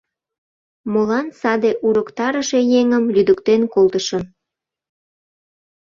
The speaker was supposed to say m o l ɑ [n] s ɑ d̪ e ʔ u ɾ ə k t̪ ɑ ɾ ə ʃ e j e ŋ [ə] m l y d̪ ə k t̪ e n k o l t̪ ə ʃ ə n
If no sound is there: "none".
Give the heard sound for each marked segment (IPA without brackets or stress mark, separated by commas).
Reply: n, ə